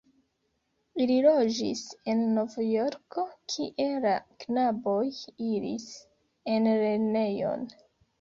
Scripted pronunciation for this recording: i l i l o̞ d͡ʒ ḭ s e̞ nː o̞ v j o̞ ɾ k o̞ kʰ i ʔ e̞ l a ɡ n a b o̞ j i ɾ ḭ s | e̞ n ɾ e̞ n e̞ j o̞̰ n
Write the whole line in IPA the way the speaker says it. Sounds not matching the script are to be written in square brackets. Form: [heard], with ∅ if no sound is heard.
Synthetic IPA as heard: i l i l o̞ d͡ʒ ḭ s e̞ nː o̞ v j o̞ ɾ k o̞ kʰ i ʔ e̞ l a [k] n a b o̞ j i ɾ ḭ s | e̞ n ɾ e̞ n e̞ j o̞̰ n